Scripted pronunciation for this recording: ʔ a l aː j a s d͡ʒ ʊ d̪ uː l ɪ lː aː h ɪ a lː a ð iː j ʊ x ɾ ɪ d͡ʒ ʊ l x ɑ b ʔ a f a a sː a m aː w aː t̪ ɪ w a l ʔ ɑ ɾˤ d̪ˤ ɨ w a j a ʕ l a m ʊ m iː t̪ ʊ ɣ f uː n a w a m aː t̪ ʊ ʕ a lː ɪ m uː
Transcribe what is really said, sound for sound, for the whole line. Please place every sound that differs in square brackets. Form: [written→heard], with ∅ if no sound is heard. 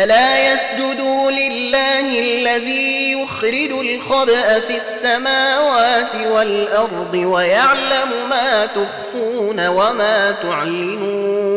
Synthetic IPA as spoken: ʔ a l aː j a s d͡ʒ ʊ d̪ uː l ɪ lː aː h ɪ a lː a ð iː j ʊ x ɾ ɪ d͡ʒ ʊ l x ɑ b ʔ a f [a→i] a sː a m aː w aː t̪ ɪ w a l ʔ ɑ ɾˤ d̪ˤ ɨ w a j a ʕ l a m ʊ m [iː→aː] t̪ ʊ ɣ f uː n a w a m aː t̪ ʊ ʕ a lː ɪ m uː